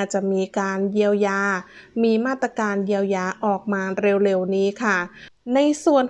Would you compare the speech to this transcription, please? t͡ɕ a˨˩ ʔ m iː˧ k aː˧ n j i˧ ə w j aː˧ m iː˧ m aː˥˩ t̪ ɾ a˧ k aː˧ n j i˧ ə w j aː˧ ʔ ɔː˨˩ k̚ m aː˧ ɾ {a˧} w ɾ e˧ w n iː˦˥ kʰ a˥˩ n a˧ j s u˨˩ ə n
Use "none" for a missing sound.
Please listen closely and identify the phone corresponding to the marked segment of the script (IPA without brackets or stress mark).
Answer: e˧